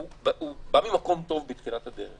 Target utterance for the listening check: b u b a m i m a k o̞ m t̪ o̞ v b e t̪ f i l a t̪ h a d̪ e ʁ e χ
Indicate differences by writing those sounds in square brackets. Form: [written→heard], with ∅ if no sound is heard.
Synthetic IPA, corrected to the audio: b u b a m i m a k o̞ m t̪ o̞ v b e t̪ [f→χ] i l a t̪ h a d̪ e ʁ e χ